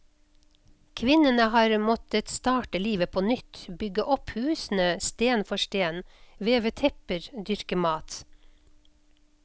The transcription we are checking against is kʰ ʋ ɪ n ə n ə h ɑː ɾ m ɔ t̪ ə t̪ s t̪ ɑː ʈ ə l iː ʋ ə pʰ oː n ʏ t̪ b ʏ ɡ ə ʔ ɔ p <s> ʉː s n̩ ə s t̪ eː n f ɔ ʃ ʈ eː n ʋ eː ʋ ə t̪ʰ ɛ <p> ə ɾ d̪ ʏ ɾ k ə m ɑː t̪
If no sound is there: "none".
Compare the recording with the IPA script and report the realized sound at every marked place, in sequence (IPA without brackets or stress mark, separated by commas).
h, p